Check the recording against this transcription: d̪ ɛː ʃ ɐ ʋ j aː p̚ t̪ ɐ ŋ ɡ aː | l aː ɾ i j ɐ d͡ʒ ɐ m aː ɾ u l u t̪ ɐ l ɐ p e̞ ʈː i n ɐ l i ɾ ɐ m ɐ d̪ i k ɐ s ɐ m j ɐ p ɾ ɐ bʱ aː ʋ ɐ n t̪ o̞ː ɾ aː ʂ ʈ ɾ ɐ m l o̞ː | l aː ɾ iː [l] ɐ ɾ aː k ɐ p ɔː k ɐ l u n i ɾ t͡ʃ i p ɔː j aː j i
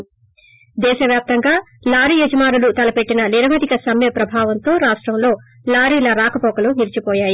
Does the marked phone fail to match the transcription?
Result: no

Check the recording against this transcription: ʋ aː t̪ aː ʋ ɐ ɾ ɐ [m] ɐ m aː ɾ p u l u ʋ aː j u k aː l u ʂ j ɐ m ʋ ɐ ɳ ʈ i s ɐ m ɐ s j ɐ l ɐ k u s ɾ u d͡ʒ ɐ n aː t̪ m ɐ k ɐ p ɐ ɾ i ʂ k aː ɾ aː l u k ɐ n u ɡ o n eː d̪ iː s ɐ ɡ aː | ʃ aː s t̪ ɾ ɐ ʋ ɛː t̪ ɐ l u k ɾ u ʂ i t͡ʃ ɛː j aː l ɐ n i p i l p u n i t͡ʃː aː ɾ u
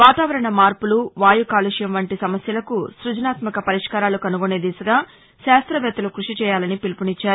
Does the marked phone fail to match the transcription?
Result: yes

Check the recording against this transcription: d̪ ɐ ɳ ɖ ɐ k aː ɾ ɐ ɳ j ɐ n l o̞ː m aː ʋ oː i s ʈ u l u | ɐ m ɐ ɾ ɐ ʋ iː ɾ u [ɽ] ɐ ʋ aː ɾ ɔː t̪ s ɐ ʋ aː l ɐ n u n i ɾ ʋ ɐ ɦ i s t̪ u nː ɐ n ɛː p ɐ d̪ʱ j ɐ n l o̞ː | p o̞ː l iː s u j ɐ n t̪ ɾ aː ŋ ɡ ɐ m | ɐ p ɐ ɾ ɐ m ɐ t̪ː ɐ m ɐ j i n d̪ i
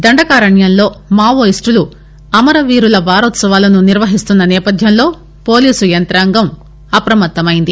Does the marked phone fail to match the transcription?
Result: yes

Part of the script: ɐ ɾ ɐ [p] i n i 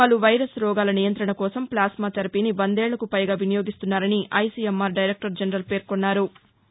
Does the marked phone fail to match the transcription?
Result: no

